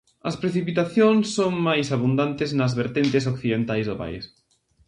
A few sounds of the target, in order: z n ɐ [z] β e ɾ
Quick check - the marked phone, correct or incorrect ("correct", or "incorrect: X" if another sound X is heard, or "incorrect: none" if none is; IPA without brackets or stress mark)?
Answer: correct